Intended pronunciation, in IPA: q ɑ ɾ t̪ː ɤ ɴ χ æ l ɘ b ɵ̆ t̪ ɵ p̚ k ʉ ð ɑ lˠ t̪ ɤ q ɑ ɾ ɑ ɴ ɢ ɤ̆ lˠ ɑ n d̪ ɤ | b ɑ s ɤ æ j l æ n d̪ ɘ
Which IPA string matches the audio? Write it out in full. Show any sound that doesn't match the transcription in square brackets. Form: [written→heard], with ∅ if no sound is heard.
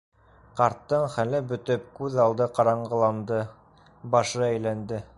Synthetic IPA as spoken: q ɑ ɾ t̪ː ɤ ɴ χ æ l ɘ b ɵ̆ t̪ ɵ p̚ k ʉ ð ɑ lˠ [t̪→d̪] ɤ q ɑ ɾ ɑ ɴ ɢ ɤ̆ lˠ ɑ n d̪ ɤ | b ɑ [s→ʃ] ɤ æ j l æ n d̪ ɘ